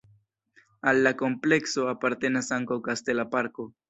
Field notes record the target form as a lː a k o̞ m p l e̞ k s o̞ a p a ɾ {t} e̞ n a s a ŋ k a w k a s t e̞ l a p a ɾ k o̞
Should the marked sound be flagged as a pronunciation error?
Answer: no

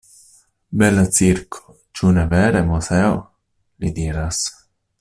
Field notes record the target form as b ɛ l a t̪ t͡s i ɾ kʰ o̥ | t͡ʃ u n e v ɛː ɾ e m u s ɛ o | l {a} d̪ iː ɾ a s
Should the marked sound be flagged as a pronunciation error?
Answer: yes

